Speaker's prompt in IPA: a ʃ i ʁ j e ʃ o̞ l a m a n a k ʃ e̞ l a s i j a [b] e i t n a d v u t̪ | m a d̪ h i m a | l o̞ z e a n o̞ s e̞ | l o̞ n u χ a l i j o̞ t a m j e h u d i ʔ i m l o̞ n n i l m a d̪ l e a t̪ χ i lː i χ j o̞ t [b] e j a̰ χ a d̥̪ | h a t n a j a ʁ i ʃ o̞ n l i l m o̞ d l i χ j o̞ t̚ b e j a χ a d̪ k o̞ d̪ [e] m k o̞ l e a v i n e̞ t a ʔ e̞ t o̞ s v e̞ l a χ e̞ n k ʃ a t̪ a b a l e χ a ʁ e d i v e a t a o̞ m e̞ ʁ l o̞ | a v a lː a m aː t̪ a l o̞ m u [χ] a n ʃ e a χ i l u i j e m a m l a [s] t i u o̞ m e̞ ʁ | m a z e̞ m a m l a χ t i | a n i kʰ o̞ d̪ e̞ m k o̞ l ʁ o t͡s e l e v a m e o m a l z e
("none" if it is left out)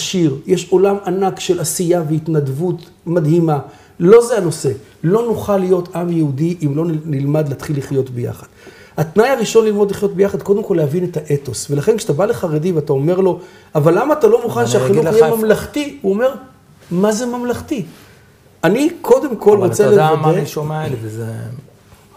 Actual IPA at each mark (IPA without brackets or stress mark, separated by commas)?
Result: v, b, e, χ, χ